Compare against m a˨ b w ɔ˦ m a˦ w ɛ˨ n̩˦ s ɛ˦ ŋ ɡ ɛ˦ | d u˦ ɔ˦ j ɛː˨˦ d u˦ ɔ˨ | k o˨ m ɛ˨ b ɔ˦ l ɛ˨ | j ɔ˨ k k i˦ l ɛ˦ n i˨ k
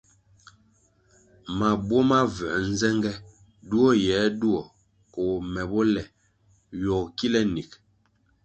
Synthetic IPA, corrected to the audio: m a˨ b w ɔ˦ m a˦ v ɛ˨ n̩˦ z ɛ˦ ŋ ɡ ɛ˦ | d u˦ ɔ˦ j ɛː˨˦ d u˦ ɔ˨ | k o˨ m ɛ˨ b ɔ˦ l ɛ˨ | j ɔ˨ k k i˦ l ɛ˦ n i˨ k